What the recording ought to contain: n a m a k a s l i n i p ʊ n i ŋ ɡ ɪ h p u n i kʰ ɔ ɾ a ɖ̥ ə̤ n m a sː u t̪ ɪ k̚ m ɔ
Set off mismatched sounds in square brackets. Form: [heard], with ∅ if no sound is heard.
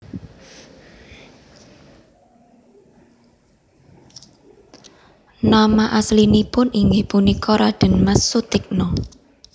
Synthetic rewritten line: n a m a [ʔ] a s l i n i p ʊ n i ŋ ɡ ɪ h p u n i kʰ ɔ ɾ a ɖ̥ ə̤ n m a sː u t̪ ɪ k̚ [n] ɔ